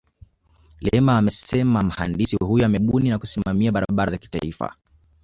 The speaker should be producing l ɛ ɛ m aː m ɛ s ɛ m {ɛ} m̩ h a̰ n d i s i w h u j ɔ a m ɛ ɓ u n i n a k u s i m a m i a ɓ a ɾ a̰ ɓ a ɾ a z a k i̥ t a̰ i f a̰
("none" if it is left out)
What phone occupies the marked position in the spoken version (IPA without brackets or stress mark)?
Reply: a